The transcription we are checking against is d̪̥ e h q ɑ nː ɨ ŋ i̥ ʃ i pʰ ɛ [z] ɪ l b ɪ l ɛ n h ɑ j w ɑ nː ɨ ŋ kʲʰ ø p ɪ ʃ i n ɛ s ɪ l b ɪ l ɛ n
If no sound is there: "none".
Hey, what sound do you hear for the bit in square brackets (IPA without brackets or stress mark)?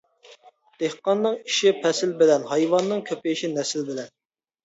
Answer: s